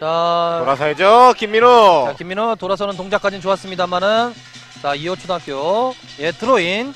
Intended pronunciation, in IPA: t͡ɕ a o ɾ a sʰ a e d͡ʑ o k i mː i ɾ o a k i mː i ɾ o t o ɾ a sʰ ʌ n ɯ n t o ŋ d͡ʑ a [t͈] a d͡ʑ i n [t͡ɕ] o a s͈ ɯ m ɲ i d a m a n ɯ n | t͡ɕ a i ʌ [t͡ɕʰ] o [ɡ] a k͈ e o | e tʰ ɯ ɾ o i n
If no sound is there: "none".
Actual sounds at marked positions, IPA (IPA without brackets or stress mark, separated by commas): k͈, t͡ɕ, t͡ɕʰ, d